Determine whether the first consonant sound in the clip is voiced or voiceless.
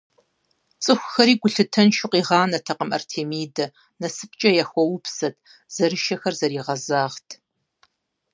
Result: voiceless